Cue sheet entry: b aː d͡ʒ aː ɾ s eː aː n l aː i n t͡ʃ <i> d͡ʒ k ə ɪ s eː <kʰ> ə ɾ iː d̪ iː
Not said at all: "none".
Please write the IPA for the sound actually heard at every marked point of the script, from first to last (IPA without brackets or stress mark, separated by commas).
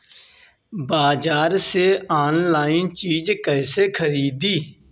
iː, kʰ